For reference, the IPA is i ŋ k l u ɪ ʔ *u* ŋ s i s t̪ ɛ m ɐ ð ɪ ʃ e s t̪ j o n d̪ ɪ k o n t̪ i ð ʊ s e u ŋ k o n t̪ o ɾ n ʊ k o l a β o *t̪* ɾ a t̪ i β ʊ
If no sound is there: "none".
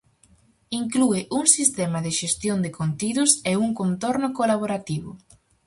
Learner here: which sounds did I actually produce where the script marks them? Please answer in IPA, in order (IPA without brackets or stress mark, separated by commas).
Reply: u, none